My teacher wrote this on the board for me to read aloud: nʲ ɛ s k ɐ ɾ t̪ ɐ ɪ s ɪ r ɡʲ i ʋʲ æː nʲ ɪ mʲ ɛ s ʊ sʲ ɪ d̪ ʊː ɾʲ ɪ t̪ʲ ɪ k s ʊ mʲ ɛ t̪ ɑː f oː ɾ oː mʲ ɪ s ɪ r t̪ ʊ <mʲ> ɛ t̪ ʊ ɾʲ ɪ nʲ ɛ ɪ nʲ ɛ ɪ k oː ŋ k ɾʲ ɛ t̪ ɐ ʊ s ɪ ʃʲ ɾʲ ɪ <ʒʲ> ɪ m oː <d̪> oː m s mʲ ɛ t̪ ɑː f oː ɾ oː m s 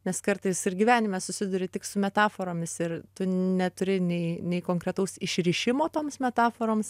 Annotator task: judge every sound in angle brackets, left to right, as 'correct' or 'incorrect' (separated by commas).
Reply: incorrect, incorrect, incorrect